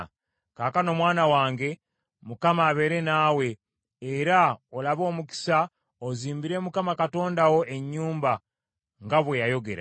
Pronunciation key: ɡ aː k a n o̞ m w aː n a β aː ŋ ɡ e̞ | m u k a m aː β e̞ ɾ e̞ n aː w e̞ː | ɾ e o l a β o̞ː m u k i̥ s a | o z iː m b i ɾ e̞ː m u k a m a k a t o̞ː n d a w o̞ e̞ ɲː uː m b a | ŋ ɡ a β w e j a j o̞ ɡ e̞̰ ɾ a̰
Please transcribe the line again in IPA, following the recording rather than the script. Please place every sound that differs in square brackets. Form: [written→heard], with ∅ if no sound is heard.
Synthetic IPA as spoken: [ɡ→k] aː k a n o̞ m w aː n a [β→w] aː ŋ ɡ e̞ | m u k a m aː β e̞ ɾ e̞ n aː w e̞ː | ɾ [e→a] o l a β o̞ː m u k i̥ s a | o z iː m b i ɾ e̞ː m u k a m a k a t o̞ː n d a w o̞ e̞ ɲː uː m b a | ŋ ɡ a β w e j a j o̞ ɡ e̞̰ ɾ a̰